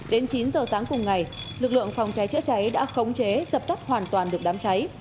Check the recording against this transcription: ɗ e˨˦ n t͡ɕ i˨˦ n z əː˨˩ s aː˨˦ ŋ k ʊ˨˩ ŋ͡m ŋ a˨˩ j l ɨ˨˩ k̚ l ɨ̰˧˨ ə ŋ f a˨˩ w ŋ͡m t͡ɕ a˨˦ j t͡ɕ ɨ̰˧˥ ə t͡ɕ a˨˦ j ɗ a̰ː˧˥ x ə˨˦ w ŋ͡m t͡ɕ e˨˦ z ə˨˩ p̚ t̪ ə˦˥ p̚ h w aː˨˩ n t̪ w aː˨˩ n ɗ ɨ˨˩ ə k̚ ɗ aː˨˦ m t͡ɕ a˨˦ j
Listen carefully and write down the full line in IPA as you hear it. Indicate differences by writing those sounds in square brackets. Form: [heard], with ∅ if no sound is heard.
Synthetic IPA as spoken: ɗ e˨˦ n t͡ɕ i˨˦ n z əː˨˩ s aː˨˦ ŋ k ʊ˨˩ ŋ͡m ŋ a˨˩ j l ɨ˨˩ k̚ l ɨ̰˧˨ ə ŋ f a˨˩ w ŋ͡m t͡ɕ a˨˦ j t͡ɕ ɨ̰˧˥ ə t͡ɕ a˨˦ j ɗ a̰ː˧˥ x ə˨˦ w ŋ͡m t͡ɕ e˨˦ z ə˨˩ p̚ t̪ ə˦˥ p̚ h w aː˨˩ n t̪ w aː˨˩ n ɗ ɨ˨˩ ə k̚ ɗ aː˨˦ m t͡ɕ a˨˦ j